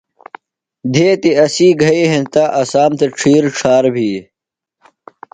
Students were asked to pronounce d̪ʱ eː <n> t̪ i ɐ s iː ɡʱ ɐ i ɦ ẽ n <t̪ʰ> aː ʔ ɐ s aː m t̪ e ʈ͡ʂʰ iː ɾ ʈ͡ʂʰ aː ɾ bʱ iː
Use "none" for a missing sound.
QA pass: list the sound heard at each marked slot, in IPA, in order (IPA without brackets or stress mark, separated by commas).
none, t̪